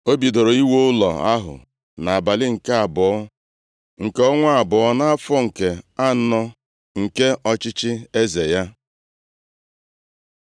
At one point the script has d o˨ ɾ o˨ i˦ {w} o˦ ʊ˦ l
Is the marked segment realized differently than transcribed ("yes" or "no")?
no